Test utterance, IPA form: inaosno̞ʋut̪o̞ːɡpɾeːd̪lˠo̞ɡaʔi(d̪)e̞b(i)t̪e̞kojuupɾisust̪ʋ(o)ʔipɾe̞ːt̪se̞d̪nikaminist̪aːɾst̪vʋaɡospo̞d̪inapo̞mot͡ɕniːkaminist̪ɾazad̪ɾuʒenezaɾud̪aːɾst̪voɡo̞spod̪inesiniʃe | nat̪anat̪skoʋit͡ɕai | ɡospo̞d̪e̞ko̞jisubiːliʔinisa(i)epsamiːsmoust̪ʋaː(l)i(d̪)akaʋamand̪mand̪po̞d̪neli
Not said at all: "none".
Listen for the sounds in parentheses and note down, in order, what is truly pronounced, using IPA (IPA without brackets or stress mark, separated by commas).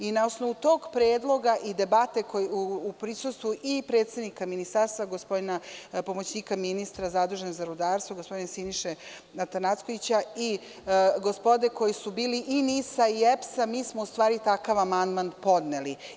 d̪, a, u, i, ɾ, t̪